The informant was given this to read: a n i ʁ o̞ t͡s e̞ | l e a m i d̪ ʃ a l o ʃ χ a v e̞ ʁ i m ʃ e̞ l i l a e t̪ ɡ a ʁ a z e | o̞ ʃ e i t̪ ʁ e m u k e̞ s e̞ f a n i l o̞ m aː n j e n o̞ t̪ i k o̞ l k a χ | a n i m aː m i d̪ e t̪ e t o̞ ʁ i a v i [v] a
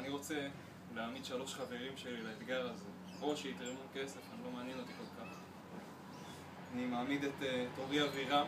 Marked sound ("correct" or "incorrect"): incorrect